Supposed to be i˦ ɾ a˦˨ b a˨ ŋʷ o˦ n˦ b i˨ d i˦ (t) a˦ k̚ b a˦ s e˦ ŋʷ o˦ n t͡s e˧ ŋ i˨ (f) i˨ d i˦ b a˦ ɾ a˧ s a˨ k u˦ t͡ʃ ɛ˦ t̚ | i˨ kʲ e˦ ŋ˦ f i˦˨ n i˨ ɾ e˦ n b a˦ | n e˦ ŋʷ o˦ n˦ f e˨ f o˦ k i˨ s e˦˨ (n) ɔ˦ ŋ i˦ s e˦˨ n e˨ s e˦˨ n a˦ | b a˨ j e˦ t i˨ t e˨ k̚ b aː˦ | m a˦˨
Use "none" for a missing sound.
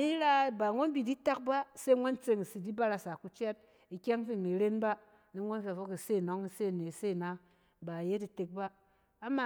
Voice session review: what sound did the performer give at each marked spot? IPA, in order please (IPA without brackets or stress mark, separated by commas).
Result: t, s, n